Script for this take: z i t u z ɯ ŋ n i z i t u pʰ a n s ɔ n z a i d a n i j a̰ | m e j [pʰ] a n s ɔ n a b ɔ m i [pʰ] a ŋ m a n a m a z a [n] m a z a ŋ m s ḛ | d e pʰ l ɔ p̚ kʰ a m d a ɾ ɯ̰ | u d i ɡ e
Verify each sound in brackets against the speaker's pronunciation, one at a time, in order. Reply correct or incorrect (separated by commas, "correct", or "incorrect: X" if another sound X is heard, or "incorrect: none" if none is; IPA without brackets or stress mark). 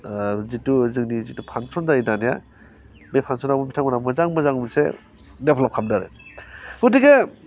correct, incorrect: tʰ, incorrect: ŋ